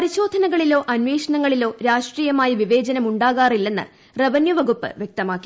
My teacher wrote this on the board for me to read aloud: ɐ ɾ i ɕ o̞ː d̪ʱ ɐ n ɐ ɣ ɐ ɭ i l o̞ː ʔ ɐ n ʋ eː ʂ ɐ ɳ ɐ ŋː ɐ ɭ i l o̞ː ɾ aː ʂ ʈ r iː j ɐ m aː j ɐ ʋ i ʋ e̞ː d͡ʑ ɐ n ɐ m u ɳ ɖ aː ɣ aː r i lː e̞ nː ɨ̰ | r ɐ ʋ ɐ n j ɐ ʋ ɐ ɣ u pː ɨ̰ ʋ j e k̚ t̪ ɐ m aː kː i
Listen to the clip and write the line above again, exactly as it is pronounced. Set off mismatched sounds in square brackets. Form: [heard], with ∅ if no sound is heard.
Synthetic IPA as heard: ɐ ɾ i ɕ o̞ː d̪ʱ ɐ n ɐ ɣ ɐ ɭ i l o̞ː ʔ ɐ n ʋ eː ʂ ɐ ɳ ɐ ŋː ɐ ɭ i l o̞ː ɾ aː ʂ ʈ r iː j ɐ m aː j ɐ ʋ i ʋ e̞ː d͡ʑ ɐ n ɐ m u ɳ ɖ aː ɣ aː r i lː e̞ nː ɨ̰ | r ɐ ʋ ɐ n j ɐ ʋ ɐ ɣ u pː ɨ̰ ʋ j e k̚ t̪ ɐ m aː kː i